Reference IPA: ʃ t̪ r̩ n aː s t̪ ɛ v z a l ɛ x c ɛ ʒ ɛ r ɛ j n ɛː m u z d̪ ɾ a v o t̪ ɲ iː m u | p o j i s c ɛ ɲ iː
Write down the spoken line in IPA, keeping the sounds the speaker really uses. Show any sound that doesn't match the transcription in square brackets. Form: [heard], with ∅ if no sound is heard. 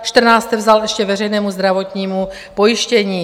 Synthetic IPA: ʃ t̪ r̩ n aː s t̪ ɛ v z a l ɛ [ʃ] c ɛ [v] ɛ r ɛ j n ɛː m u z d̪ ɾ a v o t̪ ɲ iː m u | p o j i [ʃ] c ɛ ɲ iː